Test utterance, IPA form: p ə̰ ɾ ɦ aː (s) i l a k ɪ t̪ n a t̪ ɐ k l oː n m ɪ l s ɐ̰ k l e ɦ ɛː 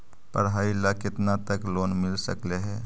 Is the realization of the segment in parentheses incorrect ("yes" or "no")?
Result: yes